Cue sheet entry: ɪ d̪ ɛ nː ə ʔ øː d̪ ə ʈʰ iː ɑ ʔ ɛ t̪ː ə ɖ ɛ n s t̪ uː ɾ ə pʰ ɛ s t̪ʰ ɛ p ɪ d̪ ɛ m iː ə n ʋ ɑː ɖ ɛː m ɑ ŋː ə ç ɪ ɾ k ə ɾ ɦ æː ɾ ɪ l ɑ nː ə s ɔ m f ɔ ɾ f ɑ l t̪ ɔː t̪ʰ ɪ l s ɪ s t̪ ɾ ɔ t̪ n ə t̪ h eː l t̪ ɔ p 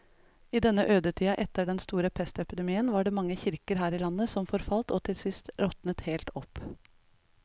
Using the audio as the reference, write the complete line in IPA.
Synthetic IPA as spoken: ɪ d̪ ɛ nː ə ʔ øː d̪ ə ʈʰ iː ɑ ʔ ɛ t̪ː ə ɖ ɛ n s t̪ uː ɾ ə pʰ ɛ s t̪ ɛ p ɪ d̪ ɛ m iː ə n ʋ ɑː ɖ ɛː m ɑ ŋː ə ç ɪ ɾ k ə ɾ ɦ æː ɾ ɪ l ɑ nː ə s ɔ m f ɔ ɾ f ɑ l t̪ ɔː t̪ʰ ɪ l s ɪ s t̪ ɾ ɔ t̪ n ə t̪ h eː l t̪ ɔ p

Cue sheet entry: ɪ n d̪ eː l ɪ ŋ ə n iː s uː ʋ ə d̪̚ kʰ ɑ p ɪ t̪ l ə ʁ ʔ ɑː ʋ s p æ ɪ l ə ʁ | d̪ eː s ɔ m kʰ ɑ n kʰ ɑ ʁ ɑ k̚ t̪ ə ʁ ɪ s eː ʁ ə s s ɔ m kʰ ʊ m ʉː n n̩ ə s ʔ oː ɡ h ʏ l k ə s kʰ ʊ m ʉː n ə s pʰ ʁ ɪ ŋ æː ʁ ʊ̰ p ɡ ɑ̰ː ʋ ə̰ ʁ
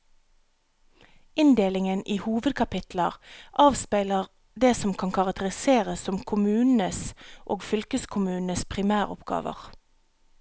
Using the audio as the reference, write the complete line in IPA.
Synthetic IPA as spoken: ɪ n d̪ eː l ɪ ŋ ə n iː h uː ʋ ə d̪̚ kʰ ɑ p ɪ t̪ l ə ʁ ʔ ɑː ʋ s p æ ɪ l ə ʁ | d̪ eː s ɔ m kʰ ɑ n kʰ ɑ ʁ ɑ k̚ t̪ ə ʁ ɪ s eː ʁ ə s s ɔ m kʰ ʊ m ʉː n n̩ ə s ʔ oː ɡ f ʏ l k ə s kʰ ʊ m ʉː n ə s pʰ ʁ ɪ m æː ʁ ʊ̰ p ɡ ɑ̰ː ʋ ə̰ ʁ

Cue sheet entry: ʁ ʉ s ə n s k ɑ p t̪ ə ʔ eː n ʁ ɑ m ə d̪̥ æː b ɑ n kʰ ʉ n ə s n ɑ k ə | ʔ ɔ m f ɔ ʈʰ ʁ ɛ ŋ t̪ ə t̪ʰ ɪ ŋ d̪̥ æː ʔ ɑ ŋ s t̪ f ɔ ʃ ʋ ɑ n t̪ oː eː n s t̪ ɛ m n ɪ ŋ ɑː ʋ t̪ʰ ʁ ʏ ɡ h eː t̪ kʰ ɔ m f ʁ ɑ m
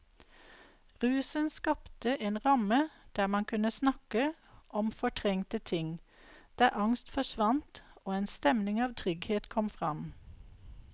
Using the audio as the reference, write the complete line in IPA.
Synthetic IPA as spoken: ʁ ʉː s ə n s k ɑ p t̪ ə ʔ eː n ʁ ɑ m ə d̪̥ æː m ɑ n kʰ ʉ n ə s n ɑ k ə | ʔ ɔ m f ɔ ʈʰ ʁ ɛ ŋ t̪ ə t̪ʰ ɪ ŋ d̪̥ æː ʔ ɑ ŋ s t̪ f ɔ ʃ ʋ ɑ n t̪ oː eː n s t̪ ɛ m n ɪ ŋ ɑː ʋ t̪ʰ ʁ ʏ ɡ h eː t̪ kʰ ɔ m f ʁ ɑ m

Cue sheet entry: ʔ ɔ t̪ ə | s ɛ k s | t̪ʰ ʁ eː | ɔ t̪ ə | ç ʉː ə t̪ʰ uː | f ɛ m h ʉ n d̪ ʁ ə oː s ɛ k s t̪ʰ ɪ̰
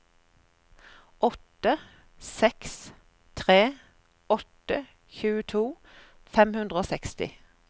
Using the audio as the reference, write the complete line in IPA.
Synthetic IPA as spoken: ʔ ɔ t̪ ə | s ɛ k s | t̪ʰ ʁ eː | ɔ t̪ ə | ç ʉː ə t̪ʰ uː | f ɛ m h ʉ n d̪ ʁ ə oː s ɛ k s t̪ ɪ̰

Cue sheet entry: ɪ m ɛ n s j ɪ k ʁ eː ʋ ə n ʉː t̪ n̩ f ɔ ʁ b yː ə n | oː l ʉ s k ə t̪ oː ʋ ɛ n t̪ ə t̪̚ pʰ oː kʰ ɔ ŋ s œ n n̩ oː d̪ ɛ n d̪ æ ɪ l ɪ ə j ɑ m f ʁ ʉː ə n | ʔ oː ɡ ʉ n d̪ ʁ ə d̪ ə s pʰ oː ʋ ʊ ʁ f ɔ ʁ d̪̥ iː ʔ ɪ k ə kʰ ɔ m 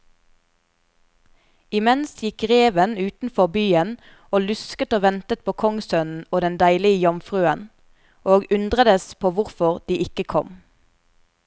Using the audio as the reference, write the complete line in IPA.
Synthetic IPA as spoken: ɪ m ɛ n s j ɪ k ʁ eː ʋ ə n ʉː t̪ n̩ f ɔ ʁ b yː ə n | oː l ʉ s k ə t̪ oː ʋ ɛ n t̪ ə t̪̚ pʰ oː kʰ ɔ ŋ s œ n n̩ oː d̪ ɛ n d̪ æ ɪ l ɪ ə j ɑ m f ʁ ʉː ə n | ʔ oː ɡ ʉ n d̪ ʁ ə d̪ ə s pʰ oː ʋ ʊ ʁ f ɔ ʁ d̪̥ iː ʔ ɪ k ə kʰ ɔ m

